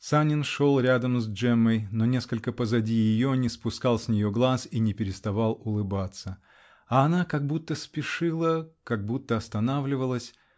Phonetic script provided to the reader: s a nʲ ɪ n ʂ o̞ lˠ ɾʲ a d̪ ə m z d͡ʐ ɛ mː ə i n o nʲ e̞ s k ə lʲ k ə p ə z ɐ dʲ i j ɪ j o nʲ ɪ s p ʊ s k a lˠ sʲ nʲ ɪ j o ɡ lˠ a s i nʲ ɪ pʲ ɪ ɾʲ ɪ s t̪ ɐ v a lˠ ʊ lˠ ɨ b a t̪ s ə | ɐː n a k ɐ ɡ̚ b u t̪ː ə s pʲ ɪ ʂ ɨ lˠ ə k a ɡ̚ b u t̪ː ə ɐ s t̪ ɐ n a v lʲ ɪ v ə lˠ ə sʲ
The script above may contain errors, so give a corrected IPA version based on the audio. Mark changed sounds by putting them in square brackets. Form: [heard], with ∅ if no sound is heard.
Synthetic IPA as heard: s a nʲ ɪ n ʂ o̞ lˠ ɾʲ a d̪ ə m z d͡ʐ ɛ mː ə [j] n o nʲ e̞ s k ə lʲ k ə p ə z ɐ dʲ i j ɪ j o nʲ ɪ s p ʊ s k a lˠ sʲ nʲ ɪ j o ɡ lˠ a s i nʲ ɪ pʲ ɪ ɾʲ ɪ s t̪ ɐ v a lˠ ʊ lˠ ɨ b a t̪ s ə | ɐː n a k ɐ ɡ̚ b u t̪ː ə s pʲ ɪ ʂ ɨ lˠ ə k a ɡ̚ b u t̪ː ə ɐ s t̪ ɐ n a v lʲ ɪ v ə lˠ ə sʲ